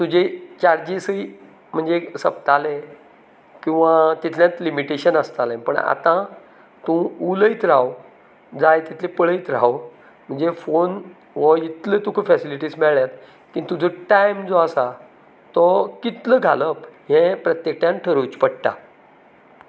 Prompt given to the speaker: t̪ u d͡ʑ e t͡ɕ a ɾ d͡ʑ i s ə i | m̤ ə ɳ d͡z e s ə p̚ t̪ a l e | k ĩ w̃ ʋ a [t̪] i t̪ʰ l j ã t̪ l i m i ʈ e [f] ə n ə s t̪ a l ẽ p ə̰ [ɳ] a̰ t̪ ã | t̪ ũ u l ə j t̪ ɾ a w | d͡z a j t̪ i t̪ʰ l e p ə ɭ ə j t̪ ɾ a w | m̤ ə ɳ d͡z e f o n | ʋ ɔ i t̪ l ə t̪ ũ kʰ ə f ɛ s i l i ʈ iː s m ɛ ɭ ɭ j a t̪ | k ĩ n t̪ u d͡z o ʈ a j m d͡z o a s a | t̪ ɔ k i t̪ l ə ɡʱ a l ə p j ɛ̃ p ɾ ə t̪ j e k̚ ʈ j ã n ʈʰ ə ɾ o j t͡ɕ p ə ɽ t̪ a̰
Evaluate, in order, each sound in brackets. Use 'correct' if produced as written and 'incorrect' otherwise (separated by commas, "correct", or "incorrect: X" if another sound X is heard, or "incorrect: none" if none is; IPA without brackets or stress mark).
correct, incorrect: ɕ, correct